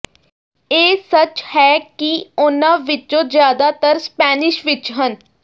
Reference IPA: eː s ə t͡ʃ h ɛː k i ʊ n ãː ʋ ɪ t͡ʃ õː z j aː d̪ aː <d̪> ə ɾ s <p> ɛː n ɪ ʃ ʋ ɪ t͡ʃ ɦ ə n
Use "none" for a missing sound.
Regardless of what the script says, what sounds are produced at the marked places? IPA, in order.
t̪, p

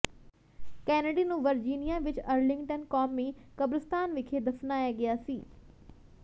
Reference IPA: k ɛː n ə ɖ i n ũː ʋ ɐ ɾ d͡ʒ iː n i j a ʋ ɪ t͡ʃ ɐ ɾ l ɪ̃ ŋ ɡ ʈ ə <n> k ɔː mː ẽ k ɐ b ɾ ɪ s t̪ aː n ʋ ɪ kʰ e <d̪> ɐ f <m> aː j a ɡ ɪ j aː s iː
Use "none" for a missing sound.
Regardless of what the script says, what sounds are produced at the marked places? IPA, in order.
n, d̪, n

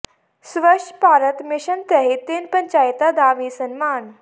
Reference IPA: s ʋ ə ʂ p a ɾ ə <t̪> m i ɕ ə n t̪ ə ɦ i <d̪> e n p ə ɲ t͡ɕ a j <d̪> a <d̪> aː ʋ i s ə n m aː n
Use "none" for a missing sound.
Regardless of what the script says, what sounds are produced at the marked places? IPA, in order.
t̪, t̪, t̪, d̪

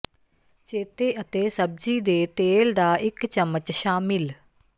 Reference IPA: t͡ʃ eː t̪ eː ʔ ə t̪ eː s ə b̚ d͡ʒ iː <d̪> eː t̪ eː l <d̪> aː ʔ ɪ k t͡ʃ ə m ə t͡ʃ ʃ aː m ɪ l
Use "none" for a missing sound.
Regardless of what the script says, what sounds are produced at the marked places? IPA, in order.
d̪, d̪

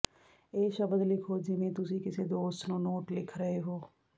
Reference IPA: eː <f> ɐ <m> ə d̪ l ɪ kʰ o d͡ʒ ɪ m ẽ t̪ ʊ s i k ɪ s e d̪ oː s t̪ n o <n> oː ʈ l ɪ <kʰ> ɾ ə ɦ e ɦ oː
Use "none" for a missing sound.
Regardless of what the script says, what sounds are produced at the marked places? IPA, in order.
ʃ, b, n, kʰ

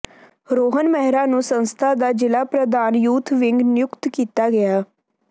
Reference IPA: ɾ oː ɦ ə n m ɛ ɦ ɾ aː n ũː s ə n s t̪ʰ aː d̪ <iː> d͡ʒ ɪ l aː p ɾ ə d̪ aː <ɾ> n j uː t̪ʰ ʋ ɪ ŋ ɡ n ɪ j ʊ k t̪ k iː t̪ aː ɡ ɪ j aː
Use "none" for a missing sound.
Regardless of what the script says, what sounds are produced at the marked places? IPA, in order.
aː, none

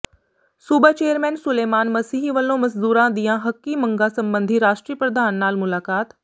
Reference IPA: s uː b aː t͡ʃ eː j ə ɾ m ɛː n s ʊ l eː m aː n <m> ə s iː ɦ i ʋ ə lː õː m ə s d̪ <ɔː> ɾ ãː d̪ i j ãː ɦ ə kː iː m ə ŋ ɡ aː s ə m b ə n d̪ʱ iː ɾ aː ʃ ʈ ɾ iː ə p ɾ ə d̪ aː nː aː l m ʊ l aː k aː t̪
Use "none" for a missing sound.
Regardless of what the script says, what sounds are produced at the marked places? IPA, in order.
m, uː

